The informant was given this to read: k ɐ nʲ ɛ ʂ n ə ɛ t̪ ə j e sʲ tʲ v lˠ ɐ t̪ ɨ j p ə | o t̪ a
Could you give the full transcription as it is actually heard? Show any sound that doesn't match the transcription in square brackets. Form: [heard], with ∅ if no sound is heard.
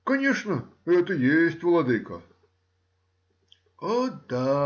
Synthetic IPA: k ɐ nʲ [e] ʂ n ə ɛ t̪ ə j e sʲ tʲ v lˠ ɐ [d̪] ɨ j [k] ə | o [d̪] a